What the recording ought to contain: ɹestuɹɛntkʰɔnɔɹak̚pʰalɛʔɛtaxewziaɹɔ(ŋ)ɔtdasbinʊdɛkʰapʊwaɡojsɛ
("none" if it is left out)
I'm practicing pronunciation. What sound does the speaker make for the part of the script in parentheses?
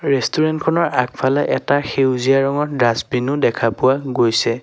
ŋ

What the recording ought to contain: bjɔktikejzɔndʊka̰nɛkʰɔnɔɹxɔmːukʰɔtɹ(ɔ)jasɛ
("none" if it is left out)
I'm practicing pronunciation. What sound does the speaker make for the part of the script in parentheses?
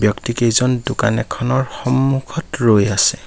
o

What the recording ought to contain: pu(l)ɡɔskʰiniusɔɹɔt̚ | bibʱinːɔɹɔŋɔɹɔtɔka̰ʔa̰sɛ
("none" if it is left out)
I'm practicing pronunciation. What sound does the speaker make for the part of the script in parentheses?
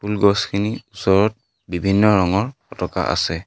l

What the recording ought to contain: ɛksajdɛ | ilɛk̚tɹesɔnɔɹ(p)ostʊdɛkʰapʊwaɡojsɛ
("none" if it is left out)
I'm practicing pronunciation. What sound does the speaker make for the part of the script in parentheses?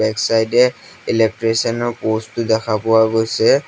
p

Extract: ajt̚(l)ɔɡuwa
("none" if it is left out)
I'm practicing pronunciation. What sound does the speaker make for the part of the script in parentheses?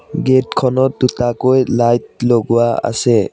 l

